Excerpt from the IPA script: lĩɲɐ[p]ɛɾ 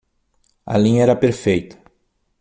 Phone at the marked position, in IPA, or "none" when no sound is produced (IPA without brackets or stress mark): none